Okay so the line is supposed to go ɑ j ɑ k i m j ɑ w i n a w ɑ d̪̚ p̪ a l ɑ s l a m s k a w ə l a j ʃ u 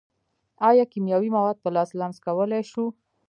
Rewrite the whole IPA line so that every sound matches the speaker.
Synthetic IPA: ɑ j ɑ k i m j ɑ w i m a w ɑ d̪̚ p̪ a l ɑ s l a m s k a w ə l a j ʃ u